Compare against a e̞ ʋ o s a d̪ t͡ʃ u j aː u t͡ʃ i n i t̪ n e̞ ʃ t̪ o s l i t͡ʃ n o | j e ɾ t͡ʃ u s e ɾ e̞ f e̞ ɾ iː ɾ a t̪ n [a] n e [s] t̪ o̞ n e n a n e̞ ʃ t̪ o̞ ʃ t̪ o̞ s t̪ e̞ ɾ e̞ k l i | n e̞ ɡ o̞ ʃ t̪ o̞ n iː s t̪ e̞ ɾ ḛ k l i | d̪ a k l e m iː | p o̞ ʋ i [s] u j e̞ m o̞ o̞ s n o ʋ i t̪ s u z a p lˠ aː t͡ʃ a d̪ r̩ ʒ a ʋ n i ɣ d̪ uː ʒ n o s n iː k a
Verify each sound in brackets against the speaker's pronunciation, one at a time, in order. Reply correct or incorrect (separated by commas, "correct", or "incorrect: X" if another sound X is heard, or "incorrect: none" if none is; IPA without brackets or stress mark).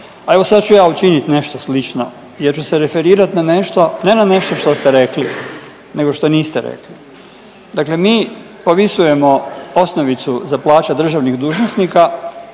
correct, incorrect: ʃ, correct